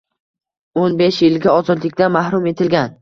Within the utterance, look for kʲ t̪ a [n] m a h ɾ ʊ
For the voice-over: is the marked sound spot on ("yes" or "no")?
yes